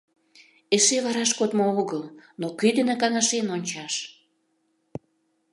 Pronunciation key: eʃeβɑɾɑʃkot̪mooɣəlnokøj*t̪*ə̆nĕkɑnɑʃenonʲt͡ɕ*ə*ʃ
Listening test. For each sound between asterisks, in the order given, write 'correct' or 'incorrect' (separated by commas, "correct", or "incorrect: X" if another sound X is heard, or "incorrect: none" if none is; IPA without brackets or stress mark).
incorrect: d̪, incorrect: ɑ